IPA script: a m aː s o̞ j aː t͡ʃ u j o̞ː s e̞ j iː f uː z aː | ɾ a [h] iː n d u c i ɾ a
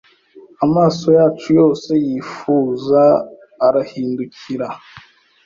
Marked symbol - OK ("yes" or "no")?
yes